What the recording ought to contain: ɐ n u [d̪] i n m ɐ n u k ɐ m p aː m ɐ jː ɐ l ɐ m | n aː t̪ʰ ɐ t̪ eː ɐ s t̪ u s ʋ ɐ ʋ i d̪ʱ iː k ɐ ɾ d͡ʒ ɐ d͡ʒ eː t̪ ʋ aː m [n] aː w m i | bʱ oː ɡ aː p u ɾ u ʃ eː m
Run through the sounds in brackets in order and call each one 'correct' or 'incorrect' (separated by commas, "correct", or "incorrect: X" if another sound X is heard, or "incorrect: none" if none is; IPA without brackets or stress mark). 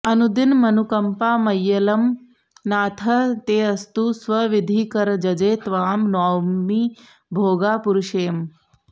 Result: correct, correct